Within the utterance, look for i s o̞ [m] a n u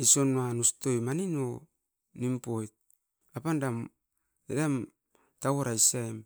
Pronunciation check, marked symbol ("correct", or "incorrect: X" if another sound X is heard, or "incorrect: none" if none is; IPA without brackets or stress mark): incorrect: n